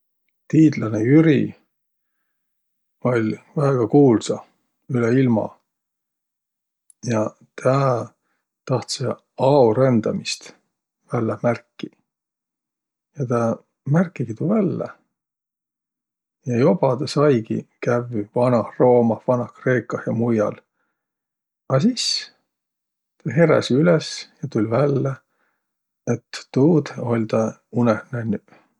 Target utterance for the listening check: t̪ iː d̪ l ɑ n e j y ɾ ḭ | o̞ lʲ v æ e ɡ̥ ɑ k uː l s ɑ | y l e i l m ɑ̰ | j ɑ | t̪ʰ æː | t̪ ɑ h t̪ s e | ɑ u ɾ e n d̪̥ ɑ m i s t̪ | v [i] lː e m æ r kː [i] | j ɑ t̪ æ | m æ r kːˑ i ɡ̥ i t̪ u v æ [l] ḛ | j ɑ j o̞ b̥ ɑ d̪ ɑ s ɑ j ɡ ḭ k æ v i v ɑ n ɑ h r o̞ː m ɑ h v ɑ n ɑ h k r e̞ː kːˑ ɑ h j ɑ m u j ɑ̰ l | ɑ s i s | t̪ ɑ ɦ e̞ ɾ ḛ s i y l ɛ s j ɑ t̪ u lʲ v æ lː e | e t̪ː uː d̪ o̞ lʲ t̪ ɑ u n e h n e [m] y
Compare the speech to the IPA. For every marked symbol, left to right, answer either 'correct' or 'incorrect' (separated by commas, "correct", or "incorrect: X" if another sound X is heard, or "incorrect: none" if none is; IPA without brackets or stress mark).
incorrect: æ, correct, incorrect: lː, incorrect: n